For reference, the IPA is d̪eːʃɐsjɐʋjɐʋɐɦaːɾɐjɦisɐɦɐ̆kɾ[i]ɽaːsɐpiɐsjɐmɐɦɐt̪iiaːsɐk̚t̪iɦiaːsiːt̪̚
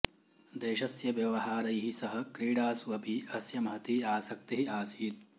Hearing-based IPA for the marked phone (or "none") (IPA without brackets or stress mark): iː